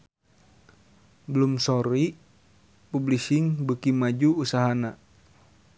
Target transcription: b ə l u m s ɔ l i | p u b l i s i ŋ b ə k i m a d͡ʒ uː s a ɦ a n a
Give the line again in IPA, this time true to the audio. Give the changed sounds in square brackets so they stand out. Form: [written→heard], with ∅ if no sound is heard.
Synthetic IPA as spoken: b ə l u m s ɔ [l→ɾ] i | p u b l i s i ŋ b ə k i m a d͡ʒ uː s a ɦ a n a